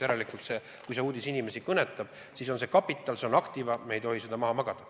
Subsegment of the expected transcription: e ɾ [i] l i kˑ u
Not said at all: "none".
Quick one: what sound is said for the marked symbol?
e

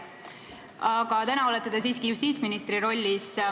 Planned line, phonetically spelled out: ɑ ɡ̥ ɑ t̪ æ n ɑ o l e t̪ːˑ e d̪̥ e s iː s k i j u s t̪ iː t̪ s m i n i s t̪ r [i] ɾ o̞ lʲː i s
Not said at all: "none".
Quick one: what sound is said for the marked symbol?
i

